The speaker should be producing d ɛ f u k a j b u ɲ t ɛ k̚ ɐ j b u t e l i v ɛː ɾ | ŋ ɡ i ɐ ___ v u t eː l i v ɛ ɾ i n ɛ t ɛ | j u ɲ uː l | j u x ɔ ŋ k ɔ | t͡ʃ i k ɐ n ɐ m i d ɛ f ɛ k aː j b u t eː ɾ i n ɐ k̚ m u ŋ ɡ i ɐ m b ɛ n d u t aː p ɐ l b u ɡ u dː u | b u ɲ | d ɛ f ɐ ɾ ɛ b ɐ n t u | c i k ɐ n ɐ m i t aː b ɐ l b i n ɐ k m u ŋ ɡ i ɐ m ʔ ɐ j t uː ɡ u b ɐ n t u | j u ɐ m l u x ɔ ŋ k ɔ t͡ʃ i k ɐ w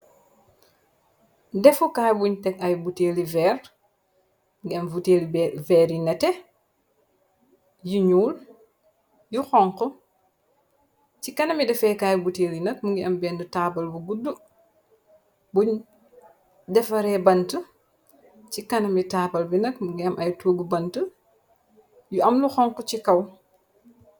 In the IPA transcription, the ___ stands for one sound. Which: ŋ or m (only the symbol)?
m